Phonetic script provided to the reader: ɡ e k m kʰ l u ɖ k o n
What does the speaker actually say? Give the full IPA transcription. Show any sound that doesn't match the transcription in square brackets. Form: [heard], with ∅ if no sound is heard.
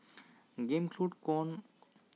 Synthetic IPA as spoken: ɡ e [∅] m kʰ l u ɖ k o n

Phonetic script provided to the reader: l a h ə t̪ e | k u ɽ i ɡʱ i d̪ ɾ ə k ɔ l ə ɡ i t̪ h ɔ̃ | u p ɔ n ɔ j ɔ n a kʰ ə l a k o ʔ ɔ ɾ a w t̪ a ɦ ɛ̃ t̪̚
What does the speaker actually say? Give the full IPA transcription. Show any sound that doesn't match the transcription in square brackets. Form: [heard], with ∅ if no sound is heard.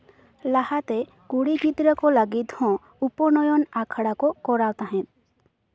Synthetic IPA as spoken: l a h [a] t̪ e | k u ɽ i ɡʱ i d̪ ɾ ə k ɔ l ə ɡ i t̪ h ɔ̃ | u p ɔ n ɔ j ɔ n a kʰ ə [ɽ] a k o [k] ɔ ɾ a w t̪ a ɦ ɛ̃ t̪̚

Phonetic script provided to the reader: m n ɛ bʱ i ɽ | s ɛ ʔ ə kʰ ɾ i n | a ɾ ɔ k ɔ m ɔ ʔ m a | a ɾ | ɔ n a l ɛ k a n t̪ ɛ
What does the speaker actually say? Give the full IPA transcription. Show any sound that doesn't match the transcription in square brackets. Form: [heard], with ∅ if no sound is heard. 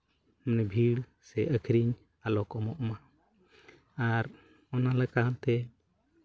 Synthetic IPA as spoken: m n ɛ bʱ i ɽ | s ɛ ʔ ə kʰ ɾ i [ɲ] | a [l] ɔ k ɔ m ɔ ʔ m a | a ɾ | ɔ n a l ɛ k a n t̪ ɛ

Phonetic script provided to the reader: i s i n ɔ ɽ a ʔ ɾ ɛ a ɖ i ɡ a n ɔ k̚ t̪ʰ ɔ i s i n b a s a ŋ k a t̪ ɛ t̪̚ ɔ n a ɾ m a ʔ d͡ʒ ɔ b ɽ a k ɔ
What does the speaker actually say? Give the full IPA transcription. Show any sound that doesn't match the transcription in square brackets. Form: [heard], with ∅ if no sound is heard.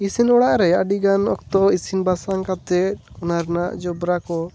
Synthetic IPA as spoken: i s i n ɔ ɽ a ʔ ɾ ɛ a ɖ i ɡ a n ɔ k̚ [t̪] ɔ i s i n b a s a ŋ k a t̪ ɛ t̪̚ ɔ n a ɾ [n] a ʔ d͡ʒ ɔ b [ɾ] a k ɔ

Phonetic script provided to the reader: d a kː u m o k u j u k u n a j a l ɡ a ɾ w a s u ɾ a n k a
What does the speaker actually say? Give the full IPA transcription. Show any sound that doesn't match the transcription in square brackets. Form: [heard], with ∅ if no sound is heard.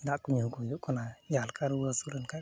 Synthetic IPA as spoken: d a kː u [ɲ] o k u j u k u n a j a l [k] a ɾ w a s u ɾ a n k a

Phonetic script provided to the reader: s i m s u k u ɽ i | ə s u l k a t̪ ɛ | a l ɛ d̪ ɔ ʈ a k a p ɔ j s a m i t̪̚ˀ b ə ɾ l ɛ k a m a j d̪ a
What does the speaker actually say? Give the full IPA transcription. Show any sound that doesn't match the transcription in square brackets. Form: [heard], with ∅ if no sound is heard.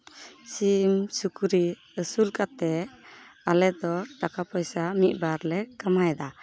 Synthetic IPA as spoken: s i m s u k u [ɾ] i | ə s u l k a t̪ ɛ | a l ɛ d̪ ɔ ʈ a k a p ɔ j s a m i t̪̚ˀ b [a] ɾ l ɛ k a m a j d̪ a

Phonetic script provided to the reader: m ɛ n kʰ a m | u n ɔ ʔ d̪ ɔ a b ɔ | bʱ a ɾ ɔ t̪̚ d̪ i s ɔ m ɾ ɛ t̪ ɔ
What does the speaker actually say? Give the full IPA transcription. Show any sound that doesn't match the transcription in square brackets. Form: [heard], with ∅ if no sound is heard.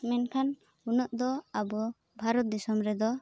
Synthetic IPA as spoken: m ɛ n kʰ a [n] | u n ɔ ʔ d̪ ɔ a b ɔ | bʱ a ɾ ɔ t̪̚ d̪ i s ɔ m ɾ ɛ [d̪] ɔ

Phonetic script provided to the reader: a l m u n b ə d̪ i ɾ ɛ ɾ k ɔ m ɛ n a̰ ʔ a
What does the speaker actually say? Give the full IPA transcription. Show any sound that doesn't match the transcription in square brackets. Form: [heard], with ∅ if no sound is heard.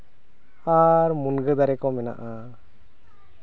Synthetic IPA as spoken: a [ɾ] m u n [ɡ] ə d̪ [a] ɾ ɛ [∅] k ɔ m ɛ n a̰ ʔ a

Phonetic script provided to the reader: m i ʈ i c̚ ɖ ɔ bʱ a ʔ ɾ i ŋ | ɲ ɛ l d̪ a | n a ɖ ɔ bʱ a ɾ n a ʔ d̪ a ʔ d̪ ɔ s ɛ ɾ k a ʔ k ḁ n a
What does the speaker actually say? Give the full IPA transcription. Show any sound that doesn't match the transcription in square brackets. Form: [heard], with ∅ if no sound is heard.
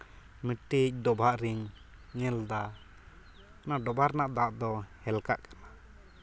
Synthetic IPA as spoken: m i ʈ i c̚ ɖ ɔ bʱ a ʔ ɾ i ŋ | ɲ ɛ l d̪ a | n a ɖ ɔ bʱ a ɾ n a ʔ d̪ a ʔ d̪ ɔ [h] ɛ [l] k a ʔ k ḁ n a

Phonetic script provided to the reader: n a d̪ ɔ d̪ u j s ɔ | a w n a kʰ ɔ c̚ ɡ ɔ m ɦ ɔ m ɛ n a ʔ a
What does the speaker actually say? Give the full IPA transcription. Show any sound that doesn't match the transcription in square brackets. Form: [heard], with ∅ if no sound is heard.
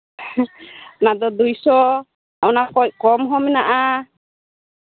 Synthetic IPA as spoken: n a d̪ ɔ d̪ u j s ɔ | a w n a [k] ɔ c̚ [k] ɔ m ɦ ɔ m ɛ n a ʔ a

